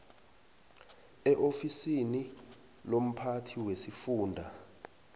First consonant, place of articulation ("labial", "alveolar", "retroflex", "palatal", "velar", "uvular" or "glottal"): glottal